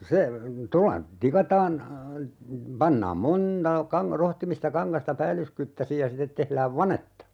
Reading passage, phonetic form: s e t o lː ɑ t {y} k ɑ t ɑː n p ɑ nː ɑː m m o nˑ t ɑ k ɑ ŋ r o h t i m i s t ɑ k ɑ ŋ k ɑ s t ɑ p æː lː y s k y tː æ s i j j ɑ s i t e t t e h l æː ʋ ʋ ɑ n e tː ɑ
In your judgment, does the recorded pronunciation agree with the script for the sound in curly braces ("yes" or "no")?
no